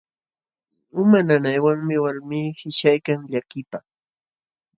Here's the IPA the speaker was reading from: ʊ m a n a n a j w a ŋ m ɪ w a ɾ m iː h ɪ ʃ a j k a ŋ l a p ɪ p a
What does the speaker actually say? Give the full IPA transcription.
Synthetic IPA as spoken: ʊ m a n a n a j w a ŋ m ɪ w a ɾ m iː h ɪ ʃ a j k a ŋ ʎ a k ɪ p a